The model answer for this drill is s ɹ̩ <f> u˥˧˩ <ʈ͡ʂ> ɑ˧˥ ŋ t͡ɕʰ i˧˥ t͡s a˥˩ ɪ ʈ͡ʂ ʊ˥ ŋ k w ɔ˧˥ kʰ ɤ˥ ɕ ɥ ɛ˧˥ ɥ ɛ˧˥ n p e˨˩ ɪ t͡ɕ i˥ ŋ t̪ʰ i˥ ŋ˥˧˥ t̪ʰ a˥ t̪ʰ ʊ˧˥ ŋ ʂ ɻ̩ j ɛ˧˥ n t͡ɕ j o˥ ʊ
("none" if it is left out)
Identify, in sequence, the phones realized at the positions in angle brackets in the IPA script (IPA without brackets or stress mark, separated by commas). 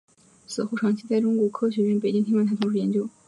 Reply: x, ʈ͡ʂʰ